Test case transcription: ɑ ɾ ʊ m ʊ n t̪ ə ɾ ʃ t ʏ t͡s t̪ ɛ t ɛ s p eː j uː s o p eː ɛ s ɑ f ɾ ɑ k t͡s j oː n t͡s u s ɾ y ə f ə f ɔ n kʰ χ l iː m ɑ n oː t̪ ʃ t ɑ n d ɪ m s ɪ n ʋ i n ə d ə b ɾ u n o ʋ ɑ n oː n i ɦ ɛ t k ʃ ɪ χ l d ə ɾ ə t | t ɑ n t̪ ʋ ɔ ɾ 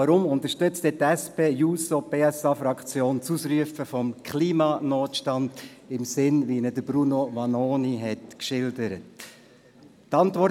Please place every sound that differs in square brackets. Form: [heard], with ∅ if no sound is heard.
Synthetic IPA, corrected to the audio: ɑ ɾ ʊ m ʊ n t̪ ə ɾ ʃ t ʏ t͡s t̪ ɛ t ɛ s p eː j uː s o p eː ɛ s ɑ f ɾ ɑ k t͡s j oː n t͡s u s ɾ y ə f ə f ɔ [m] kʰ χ l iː m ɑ n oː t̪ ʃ t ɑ n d ɪ m s ɪ n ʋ i n ə d ə b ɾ u n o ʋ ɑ n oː n i ɦ ɛ t k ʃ ɪ [∅] l d ə ɾ ə t | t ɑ n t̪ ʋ ɔ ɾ